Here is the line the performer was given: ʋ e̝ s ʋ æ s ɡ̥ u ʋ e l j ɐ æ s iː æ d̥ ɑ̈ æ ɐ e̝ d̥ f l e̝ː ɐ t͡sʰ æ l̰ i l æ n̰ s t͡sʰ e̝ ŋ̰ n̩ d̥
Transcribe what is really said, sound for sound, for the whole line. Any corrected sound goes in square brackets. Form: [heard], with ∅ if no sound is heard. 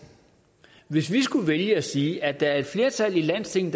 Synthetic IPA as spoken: ʋ e̝ s ʋ [i] s ɡ̥ u ʋ e l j [ə] æ s iː æ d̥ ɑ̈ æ ɐ e̝ d̥ f l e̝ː ɐ t͡sʰ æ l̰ i l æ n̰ s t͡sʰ e̝ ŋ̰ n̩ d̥